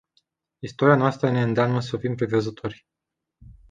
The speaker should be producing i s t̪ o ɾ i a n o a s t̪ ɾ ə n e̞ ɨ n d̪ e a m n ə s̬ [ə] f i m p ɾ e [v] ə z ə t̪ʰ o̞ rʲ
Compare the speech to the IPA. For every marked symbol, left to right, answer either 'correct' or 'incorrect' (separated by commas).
correct, correct